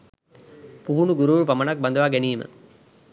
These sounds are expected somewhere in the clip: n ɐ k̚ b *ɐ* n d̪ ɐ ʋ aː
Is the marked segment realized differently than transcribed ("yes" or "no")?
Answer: no